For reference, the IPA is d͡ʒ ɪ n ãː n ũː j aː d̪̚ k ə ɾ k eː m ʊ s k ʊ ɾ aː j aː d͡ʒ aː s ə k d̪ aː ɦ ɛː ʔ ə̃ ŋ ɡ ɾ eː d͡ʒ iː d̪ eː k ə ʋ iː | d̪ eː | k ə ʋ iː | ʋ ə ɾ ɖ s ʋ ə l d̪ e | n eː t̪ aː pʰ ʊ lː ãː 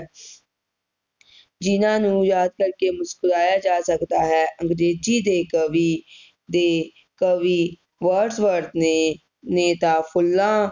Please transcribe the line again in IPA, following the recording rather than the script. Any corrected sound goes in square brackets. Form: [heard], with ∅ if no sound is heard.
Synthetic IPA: d͡ʒ ɪ n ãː n ũː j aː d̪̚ k ə ɾ k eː m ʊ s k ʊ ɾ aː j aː d͡ʒ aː s ə k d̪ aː ɦ ɛː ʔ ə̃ ŋ ɡ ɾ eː d͡ʒ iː d̪ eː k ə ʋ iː | d̪ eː | k ə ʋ iː | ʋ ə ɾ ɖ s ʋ ə [ɾ] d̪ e | n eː t̪ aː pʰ ʊ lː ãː